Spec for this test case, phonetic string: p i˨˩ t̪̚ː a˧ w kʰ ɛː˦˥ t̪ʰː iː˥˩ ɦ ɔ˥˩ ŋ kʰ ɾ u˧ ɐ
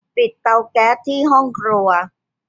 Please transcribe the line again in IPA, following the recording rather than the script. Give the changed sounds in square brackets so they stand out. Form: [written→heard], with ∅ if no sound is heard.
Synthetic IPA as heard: p i˨˩ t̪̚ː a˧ w [kʰ→k] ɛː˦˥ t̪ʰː iː˥˩ ɦ ɔ˥˩ ŋ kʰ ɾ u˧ ɐ